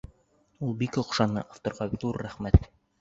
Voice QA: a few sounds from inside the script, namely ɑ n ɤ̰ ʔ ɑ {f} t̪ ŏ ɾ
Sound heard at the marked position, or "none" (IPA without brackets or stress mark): f